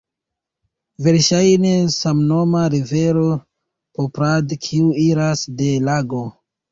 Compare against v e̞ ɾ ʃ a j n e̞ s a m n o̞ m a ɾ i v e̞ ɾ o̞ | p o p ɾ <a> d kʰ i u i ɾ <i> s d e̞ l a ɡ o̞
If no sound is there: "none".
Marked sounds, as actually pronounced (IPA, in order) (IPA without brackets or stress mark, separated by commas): a, a